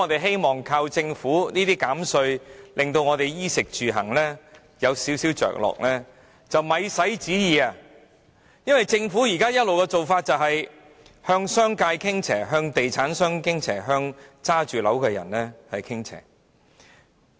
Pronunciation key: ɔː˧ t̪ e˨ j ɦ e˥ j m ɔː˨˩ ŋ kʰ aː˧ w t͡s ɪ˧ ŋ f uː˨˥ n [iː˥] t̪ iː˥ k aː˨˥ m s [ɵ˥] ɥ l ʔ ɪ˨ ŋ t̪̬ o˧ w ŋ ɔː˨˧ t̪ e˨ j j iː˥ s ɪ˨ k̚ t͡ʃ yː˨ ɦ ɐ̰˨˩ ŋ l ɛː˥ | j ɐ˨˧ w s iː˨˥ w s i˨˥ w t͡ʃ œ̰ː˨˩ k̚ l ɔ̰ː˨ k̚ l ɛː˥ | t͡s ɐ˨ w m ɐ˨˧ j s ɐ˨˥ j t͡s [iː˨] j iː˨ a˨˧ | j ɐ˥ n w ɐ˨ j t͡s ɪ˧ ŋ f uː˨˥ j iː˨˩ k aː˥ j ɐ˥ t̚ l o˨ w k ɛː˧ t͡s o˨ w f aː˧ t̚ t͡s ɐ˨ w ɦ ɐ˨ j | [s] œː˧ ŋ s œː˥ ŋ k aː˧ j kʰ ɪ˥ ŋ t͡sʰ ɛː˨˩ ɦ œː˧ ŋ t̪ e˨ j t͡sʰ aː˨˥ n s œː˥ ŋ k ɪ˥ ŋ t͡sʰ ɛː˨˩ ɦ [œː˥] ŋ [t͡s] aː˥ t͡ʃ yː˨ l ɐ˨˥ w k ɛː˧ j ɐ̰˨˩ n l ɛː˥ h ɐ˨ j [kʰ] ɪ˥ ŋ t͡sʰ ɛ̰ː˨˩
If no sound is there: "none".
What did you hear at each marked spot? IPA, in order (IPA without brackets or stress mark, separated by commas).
iː˥, ɵ˧, iː˨˥, h, œː˧, t͡s, kʰ